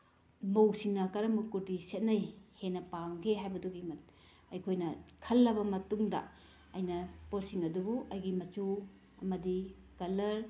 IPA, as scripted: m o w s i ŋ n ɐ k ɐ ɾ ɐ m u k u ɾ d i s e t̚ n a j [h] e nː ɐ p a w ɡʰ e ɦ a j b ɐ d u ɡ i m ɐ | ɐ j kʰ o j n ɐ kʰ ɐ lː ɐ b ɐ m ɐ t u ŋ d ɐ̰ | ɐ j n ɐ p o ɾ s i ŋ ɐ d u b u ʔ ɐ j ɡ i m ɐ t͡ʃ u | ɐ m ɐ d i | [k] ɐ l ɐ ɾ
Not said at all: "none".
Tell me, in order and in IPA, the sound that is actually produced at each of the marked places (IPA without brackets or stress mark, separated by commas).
h, k